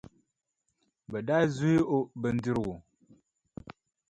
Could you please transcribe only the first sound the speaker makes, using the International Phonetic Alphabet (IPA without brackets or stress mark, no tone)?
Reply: b